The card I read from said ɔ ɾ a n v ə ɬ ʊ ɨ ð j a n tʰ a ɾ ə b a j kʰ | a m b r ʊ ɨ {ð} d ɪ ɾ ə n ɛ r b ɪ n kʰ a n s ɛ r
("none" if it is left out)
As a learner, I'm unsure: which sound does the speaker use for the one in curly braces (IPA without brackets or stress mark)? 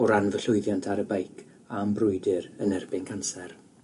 none